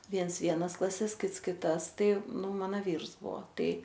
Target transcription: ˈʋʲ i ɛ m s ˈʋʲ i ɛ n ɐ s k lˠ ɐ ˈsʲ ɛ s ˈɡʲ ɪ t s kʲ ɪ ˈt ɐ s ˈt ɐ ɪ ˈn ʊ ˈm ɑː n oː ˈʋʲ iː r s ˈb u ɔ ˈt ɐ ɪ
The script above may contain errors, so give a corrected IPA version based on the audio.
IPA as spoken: ˈʋʲ i ɛ n s ˈʋʲ i ɛ n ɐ s k lˠ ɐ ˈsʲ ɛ s ˈkʲ ɪ t s kʲ ɪ ˈt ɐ s ˈt ɐ ɪ ˈn ʊ ˈm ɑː n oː ˈʋʲ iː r s ˈb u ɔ ˈt ɐ ɪ

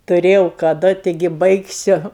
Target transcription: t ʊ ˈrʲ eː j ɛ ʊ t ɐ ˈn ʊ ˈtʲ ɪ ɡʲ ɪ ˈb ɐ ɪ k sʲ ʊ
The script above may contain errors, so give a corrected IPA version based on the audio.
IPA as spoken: t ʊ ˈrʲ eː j ɛ ʊ k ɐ ˈd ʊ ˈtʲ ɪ ɡʲ ɪ ˈb ɐ ɪ k sʲ ʊ

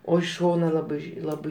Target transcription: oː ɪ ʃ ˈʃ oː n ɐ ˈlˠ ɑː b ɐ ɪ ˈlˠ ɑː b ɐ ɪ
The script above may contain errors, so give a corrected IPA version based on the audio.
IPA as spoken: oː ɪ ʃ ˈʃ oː n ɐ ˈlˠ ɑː b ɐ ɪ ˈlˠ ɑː b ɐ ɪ

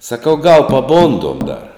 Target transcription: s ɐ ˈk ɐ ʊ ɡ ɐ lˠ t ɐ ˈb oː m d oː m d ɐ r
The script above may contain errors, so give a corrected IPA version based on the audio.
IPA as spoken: s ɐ ˈk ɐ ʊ ɡ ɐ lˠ p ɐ ˈb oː n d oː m d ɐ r

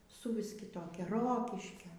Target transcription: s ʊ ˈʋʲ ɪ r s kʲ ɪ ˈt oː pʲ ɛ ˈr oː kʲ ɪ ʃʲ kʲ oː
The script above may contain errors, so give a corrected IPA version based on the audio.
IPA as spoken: s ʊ ˈʋʲ ɪ s kʲ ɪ ˈt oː kʲ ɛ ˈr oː kʲ ɪ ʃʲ kʲ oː

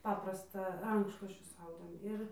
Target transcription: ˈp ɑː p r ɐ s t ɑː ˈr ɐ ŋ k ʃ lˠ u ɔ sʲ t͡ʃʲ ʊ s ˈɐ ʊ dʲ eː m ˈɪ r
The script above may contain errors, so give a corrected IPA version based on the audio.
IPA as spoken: ˈp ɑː p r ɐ s t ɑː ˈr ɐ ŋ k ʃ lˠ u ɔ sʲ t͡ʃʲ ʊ s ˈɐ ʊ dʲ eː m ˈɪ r

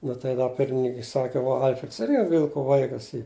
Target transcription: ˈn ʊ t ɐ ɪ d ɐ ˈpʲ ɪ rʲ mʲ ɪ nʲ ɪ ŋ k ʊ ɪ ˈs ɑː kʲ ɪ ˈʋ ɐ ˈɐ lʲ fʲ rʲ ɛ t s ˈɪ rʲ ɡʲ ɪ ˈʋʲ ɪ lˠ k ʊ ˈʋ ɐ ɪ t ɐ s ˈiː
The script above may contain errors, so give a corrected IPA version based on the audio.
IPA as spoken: ˈn ʊ t ɐ ɪ d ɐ ˈpʲ ɪ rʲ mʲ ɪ nʲ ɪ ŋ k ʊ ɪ ˈs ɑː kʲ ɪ ˈʋ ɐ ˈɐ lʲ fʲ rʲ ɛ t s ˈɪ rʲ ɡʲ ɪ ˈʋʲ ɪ lˠ k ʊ ˈʋ ɐ ɪ k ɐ s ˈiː

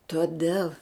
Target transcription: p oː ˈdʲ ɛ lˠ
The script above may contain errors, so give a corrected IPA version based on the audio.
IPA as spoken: t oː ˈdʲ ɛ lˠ

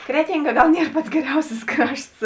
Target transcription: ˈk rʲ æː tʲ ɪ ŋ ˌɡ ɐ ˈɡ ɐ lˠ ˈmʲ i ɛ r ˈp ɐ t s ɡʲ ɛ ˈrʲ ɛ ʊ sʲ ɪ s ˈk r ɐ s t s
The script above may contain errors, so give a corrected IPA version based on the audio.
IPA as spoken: ˈk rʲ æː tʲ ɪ ŋ ˌɡ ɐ ˈɡ ɐ lˠ ˈnʲ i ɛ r ˈp ɐ t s ɡʲ ɛ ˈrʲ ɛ ʊ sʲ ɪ s ˈk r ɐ ʃ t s

